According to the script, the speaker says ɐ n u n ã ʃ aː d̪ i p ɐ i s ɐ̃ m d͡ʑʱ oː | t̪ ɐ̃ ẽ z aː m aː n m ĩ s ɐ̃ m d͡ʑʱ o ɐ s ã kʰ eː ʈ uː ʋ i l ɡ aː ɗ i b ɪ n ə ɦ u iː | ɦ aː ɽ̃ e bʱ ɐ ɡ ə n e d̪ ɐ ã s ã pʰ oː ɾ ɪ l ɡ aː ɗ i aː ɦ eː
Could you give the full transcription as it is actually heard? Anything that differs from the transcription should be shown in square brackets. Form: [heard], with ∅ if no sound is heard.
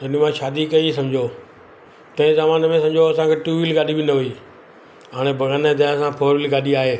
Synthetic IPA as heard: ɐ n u [m] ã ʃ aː d̪ i [k] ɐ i s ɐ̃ m d͡ʑʱ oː | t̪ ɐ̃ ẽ z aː m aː n m [ẽ] s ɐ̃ m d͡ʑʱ o ɐ s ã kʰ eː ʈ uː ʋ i l ɡ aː ɗ i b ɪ n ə ɦ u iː | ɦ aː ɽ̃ e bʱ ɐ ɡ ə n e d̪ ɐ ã s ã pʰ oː ɾ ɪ l ɡ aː ɗ i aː ɦ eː